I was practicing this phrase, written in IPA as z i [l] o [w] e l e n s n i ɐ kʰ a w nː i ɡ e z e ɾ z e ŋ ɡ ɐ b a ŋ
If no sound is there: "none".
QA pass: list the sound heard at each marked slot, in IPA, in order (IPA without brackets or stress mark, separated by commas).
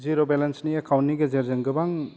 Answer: ɾ, b